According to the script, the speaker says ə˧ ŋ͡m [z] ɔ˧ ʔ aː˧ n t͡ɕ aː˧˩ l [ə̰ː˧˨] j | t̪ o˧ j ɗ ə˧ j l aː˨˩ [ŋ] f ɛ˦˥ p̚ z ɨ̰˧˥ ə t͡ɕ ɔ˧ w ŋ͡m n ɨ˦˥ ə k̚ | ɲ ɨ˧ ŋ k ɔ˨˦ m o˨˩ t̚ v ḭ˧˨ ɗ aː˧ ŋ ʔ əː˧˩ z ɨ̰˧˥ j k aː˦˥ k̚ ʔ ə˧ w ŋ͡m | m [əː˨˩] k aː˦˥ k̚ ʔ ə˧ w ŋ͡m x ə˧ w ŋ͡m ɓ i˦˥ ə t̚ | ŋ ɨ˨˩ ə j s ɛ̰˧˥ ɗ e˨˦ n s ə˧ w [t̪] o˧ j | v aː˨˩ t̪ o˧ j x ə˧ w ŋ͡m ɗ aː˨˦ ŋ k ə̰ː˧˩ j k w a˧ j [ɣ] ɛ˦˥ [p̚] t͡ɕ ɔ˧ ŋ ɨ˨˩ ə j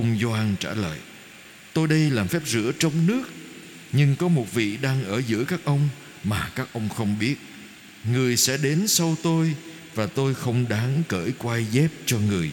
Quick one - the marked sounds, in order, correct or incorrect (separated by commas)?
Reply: correct, correct, incorrect, incorrect, correct, incorrect, correct